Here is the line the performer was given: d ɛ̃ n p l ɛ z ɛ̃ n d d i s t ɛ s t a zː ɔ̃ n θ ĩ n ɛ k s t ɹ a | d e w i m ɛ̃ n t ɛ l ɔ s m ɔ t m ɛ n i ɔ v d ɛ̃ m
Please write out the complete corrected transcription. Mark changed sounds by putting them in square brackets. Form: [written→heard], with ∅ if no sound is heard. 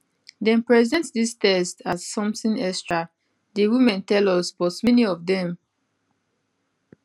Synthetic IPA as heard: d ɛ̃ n p [l→ɹ] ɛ z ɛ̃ n [d→t] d i s t ɛ s t a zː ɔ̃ [n→m] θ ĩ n ɛ k s t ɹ a | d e w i m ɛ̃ n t ɛ l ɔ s [m→b] ɔ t m ɛ n i ɔ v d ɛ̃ m

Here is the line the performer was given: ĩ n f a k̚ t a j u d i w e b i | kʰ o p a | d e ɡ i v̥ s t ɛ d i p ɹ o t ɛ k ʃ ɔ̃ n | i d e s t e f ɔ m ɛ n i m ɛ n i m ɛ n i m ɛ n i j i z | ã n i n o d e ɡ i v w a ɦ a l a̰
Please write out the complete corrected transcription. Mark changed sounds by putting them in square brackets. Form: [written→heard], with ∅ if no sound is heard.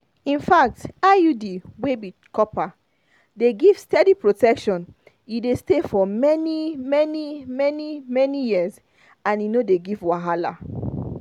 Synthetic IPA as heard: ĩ n f a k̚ t a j u d i w e b i | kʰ [o→ɔ] p a | d e ɡ i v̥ s t ɛ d i p ɹ o t ɛ k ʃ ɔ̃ n | i d e s t e f ɔ m ɛ n i m ɛ n i m ɛ n i m ɛ n i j i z | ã n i n o d e ɡ i v w a ɦ a l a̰

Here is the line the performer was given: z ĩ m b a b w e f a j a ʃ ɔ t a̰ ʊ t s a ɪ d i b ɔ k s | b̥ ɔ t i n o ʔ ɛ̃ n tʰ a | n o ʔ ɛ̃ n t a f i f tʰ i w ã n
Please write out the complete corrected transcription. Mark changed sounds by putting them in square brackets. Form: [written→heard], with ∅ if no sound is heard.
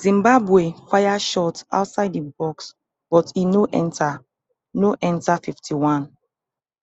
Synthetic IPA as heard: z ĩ m b a b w e f a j a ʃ ɔ t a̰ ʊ t s a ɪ d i b ɔ k s | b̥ ɔ t i n o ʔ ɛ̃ n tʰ a | n o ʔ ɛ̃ n t a f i f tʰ i w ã n

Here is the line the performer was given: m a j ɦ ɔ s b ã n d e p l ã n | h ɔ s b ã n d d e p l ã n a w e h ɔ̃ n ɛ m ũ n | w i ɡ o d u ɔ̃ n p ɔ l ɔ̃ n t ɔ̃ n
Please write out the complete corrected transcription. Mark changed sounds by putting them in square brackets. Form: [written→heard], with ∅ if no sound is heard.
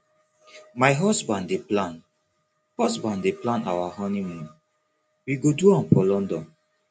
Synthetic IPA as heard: m a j ɦ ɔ s b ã n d e p l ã n | h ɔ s b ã n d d e p l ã n a w [e→a] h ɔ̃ n [ɛ→i] m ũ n | w i ɡ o d u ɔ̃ n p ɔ l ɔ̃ n [t→d] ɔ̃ n

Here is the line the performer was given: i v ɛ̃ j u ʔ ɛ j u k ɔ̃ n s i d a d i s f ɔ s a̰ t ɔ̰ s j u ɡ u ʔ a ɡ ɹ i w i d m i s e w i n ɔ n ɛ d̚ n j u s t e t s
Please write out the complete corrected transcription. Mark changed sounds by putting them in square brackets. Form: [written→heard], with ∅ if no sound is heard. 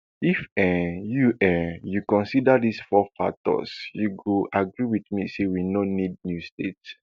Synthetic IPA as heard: i [v→f] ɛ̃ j u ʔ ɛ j u k ɔ̃ n s i d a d i s f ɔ [s→f] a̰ t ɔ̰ s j u ɡ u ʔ a ɡ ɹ i w i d m i s e w i n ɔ n [ɛ→i] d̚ n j u s t e t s

